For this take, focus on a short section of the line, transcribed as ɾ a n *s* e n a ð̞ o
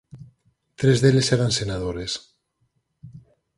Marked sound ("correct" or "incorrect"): correct